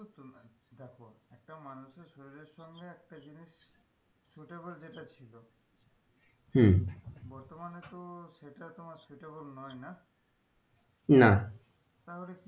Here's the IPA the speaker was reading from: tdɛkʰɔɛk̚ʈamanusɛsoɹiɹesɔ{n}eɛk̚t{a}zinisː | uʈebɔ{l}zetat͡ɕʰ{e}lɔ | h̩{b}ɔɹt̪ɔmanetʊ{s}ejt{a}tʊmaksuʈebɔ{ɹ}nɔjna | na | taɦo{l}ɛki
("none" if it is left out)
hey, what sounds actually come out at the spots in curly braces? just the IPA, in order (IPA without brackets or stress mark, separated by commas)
ŋ, a, l, i, b, s, a, l, l